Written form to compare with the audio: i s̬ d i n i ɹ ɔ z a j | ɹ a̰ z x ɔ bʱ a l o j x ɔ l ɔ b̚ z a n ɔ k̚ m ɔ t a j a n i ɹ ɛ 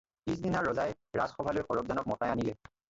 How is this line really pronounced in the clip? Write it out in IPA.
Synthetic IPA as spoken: i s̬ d i n a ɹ ɔ z a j | ɹ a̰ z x ɔ bʱ a l o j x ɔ ɹ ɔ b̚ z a n ɔ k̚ m ɔ t a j a n i l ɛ